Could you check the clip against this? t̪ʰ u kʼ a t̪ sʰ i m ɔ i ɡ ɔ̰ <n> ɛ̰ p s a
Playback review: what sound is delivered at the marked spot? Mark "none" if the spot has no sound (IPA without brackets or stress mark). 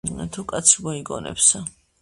n